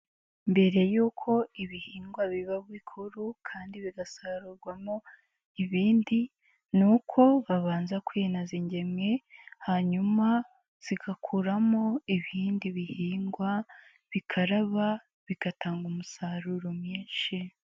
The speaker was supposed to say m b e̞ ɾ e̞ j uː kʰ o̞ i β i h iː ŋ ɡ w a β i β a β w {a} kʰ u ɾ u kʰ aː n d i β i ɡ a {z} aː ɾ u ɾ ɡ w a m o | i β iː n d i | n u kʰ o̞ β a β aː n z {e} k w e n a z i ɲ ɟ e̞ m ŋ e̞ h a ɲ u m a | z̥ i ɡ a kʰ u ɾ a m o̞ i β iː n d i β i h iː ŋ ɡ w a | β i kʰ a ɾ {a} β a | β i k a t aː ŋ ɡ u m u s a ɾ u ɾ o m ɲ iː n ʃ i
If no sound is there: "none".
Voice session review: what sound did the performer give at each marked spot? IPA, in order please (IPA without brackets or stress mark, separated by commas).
i, s, a, a